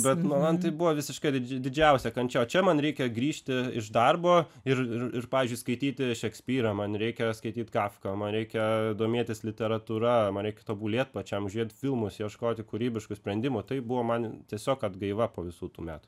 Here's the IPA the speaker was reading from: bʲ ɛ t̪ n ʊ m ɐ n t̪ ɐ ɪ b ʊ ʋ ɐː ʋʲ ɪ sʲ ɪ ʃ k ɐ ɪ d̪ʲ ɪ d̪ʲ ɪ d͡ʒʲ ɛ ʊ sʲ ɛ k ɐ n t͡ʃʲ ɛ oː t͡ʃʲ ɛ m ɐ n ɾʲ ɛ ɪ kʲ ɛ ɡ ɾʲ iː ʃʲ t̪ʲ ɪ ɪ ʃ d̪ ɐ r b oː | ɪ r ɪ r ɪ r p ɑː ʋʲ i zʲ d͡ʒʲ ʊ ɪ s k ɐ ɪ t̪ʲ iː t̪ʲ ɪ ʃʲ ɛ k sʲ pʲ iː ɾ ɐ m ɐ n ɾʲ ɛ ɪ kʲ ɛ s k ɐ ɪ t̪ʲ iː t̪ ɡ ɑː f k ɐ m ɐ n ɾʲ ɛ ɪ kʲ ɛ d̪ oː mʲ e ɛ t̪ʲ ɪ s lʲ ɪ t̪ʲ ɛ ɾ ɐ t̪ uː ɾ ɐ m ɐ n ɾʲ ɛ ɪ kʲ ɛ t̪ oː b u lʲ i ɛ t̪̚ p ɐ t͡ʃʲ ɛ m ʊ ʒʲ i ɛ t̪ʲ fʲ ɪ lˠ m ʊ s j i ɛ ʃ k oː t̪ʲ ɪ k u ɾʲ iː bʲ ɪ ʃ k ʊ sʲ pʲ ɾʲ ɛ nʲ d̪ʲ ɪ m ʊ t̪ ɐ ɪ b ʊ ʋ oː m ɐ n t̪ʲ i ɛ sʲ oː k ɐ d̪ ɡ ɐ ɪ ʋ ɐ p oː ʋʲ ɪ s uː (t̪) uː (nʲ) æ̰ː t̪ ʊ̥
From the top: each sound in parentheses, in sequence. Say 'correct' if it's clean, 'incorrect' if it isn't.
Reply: correct, incorrect

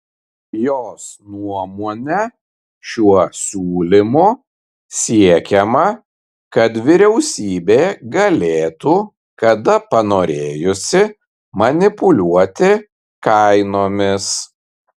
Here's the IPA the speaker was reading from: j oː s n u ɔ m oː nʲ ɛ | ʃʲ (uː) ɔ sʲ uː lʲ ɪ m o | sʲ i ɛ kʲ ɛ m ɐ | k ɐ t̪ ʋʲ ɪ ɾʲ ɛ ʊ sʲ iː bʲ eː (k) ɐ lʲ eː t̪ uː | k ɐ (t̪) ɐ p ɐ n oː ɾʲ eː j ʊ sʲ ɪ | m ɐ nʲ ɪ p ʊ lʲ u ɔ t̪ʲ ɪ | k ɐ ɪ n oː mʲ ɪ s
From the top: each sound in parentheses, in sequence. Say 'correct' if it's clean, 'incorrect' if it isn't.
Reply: incorrect, incorrect, incorrect

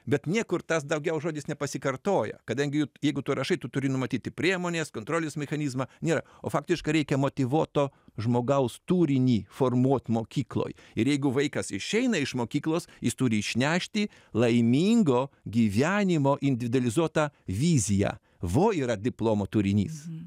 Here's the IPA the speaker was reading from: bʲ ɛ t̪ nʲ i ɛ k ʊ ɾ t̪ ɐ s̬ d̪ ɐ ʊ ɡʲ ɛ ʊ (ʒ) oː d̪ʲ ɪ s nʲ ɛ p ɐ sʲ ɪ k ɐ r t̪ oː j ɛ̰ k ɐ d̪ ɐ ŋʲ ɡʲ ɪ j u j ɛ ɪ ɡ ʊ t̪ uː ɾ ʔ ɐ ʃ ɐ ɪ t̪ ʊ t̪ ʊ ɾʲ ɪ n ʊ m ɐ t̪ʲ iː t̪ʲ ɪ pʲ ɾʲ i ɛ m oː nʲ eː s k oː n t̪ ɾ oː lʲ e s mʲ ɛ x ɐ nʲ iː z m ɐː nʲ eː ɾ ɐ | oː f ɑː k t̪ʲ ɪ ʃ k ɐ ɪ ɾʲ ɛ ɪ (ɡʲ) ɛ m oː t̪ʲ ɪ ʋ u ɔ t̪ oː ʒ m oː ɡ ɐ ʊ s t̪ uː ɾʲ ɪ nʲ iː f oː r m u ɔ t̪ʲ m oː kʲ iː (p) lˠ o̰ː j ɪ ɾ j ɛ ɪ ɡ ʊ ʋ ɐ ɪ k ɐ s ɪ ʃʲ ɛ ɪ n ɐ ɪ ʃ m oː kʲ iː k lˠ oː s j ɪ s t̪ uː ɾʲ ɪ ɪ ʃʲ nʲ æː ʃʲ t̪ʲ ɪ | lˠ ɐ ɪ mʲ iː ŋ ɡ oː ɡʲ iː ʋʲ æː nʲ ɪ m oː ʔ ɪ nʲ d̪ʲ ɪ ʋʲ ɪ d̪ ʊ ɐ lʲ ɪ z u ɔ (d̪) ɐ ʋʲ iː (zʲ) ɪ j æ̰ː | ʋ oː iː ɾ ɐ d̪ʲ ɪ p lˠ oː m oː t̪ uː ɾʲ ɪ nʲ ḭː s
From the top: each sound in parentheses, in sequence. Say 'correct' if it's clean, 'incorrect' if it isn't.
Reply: correct, incorrect, incorrect, incorrect, correct

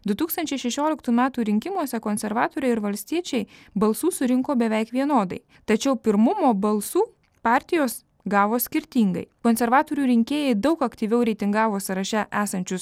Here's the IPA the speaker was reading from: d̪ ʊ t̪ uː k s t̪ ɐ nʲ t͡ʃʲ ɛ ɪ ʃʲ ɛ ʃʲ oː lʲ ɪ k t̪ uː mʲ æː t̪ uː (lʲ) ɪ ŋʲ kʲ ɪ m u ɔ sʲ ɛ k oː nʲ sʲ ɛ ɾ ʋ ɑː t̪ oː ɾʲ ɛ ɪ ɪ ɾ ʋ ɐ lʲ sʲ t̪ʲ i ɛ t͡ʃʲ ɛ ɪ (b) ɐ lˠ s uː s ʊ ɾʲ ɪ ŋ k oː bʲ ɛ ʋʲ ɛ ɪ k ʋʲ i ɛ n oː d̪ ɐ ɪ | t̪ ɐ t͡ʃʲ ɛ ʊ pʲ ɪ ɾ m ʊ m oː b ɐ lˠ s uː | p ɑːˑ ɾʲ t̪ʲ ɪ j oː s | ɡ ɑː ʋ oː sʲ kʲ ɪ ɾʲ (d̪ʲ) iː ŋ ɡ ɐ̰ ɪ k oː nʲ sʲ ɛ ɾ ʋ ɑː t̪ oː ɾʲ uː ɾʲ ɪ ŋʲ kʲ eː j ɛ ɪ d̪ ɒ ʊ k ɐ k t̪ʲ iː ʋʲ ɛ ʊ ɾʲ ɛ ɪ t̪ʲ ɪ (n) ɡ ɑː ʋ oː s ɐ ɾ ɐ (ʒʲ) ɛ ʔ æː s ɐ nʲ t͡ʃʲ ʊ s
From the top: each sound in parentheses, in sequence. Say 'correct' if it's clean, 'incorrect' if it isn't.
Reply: incorrect, correct, incorrect, incorrect, incorrect

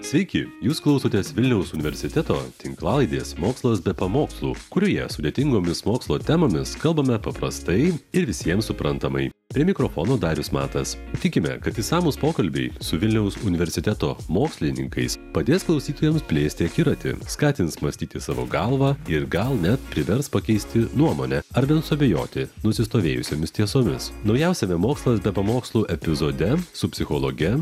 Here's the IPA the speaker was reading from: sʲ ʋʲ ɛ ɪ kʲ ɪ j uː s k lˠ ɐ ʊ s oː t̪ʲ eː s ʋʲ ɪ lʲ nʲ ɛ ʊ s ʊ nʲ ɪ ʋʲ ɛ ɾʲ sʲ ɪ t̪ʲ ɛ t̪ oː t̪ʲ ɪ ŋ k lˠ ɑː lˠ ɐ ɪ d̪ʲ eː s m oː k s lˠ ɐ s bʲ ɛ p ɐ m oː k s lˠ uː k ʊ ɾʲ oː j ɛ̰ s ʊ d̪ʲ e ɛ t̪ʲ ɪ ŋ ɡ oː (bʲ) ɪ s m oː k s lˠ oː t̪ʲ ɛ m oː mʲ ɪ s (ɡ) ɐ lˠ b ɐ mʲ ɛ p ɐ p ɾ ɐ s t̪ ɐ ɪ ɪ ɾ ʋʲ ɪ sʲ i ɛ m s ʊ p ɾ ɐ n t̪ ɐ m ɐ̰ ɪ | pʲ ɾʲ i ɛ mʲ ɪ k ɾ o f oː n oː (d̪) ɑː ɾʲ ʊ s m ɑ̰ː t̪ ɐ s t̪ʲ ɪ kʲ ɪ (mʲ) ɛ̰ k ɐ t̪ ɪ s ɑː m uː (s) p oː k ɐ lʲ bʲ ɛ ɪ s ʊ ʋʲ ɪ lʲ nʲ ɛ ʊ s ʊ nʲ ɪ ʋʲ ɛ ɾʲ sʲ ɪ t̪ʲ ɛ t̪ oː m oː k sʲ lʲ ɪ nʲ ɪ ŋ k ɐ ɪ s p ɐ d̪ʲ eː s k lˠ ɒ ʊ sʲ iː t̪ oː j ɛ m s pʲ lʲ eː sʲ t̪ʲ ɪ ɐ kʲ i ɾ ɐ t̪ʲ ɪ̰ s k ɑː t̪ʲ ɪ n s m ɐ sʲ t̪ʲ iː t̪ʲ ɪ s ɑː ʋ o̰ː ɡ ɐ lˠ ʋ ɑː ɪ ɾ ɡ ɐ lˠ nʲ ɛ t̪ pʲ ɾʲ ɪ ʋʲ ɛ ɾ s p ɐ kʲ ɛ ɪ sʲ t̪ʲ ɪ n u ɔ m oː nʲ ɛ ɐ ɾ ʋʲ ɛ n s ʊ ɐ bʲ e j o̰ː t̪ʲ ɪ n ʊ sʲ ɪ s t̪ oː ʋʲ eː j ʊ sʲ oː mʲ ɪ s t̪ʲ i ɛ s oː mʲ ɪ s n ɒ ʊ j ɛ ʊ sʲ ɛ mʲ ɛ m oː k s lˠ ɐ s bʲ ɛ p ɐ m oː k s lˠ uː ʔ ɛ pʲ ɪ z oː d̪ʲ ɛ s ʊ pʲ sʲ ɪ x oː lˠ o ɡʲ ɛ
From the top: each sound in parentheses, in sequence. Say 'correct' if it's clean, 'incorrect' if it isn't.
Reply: incorrect, incorrect, correct, correct, correct

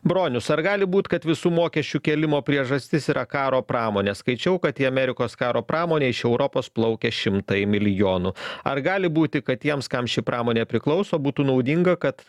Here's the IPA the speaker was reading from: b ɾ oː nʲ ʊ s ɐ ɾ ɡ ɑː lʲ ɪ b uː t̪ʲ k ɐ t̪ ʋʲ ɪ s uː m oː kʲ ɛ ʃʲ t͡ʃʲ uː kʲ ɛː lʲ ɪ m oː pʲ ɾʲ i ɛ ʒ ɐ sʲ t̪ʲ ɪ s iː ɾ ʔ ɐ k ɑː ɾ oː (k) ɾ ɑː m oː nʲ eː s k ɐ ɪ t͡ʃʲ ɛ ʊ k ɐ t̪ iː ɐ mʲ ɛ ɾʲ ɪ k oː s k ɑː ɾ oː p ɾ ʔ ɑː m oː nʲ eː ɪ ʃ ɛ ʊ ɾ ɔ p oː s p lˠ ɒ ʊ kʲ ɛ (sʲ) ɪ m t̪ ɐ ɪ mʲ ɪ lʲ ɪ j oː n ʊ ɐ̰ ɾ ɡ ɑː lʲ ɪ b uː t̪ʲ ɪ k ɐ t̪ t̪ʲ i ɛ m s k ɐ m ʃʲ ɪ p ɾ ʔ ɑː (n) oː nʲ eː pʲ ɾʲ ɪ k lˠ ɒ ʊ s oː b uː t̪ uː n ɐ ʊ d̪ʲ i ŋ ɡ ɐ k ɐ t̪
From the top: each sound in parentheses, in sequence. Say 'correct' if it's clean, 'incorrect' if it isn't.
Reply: incorrect, incorrect, incorrect

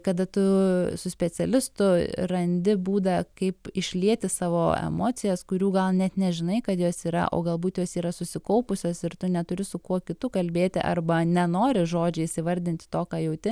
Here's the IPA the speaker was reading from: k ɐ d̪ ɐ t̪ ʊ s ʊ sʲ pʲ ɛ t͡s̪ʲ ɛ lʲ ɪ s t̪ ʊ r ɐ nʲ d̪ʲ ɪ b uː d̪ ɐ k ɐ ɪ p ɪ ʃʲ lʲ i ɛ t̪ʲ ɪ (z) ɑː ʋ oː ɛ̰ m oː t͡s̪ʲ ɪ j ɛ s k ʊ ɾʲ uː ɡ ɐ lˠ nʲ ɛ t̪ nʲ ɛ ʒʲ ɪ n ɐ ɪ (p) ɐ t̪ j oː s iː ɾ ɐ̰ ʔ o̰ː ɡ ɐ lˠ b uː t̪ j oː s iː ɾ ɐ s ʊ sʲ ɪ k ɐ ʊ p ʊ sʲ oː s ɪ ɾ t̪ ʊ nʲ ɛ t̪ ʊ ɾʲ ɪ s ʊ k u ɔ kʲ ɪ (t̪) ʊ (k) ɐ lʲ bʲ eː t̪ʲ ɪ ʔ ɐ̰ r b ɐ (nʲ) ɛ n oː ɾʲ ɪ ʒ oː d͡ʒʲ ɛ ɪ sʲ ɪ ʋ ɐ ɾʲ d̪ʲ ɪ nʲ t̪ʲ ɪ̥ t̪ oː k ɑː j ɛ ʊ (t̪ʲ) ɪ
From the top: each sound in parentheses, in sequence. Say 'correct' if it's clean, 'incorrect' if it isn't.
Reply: incorrect, incorrect, correct, correct, correct, correct

